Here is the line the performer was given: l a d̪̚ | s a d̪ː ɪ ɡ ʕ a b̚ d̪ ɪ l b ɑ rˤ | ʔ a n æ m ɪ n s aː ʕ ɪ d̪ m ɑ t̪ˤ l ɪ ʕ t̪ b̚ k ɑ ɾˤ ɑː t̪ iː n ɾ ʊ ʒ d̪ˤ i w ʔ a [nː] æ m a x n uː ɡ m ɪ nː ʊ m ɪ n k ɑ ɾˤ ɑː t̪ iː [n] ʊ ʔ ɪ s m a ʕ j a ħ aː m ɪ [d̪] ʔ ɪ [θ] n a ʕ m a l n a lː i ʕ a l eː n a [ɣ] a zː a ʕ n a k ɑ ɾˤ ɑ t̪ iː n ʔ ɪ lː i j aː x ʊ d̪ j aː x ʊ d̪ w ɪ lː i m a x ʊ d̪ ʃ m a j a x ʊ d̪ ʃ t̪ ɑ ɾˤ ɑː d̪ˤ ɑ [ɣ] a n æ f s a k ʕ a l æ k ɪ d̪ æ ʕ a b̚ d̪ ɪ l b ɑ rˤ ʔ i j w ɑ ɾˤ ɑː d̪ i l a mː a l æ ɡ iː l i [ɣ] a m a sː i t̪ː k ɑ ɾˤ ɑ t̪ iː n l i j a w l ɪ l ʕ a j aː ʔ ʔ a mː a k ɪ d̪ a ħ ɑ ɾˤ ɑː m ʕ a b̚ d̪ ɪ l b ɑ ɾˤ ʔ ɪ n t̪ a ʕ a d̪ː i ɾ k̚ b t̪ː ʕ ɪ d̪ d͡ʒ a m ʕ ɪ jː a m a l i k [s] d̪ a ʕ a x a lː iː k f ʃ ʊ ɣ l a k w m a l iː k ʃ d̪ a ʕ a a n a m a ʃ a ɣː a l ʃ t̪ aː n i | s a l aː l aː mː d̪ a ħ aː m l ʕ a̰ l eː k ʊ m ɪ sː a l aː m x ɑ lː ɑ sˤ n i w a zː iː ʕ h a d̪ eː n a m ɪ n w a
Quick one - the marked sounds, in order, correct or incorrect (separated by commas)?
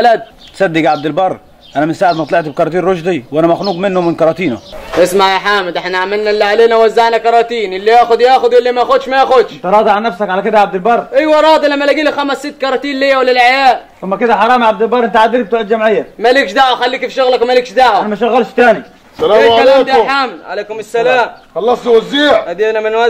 incorrect, correct, correct, incorrect, incorrect, incorrect, incorrect, incorrect